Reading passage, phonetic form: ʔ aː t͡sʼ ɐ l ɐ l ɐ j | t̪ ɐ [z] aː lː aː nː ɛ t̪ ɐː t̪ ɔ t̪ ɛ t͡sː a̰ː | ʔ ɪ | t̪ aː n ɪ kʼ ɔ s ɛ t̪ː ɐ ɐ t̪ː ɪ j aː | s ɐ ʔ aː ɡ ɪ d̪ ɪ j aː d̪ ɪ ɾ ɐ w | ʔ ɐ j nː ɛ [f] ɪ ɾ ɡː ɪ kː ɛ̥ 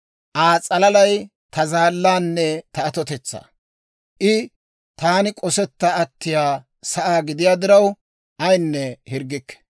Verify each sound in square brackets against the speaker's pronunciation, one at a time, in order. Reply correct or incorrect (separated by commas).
correct, incorrect